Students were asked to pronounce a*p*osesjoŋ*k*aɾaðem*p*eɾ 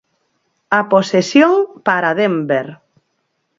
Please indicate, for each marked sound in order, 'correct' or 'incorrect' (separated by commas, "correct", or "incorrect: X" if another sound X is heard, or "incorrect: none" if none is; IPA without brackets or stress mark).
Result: correct, incorrect: p, incorrect: b